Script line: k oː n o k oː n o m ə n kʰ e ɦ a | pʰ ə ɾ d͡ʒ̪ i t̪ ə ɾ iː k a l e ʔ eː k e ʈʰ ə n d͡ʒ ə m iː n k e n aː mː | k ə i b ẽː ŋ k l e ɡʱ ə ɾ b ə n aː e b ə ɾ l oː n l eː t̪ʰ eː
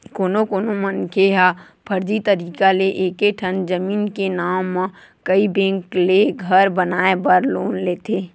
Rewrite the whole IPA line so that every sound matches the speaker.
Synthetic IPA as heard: k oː n o k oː n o m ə n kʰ e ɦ a | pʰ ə ɾ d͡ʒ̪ i t̪ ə ɾ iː k a l e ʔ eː k e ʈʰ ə n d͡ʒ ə m iː n k e n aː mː | k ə i b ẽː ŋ k l e ɡʱ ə ɾ b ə n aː e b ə ɾ l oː n l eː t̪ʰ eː